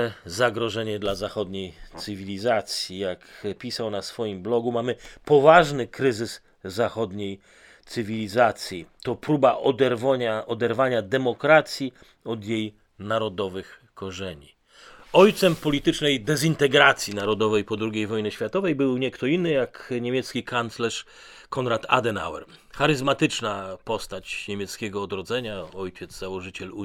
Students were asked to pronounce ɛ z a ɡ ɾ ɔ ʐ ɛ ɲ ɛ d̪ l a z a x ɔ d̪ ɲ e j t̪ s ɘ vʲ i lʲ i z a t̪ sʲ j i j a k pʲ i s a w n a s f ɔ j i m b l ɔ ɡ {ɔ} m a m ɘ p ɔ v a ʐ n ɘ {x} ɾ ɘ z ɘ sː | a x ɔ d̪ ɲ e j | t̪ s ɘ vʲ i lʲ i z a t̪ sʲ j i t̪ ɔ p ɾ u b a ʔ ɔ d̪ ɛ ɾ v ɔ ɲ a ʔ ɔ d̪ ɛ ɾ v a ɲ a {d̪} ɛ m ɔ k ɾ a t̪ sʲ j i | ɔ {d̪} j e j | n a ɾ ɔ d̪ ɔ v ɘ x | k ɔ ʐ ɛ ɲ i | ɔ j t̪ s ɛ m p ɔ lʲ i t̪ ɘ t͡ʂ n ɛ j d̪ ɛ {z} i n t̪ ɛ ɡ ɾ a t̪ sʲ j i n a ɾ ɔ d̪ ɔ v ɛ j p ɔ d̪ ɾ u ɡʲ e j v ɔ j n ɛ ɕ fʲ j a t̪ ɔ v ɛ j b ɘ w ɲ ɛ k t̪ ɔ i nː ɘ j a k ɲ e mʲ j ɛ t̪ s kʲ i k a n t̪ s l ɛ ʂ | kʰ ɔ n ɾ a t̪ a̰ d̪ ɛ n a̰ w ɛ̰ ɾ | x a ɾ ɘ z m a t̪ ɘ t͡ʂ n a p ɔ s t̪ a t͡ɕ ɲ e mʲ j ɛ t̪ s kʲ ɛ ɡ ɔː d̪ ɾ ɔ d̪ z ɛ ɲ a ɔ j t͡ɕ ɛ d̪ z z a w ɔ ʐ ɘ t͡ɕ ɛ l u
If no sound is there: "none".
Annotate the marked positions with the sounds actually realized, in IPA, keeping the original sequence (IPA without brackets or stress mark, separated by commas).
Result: u, k, d̪, d̪, z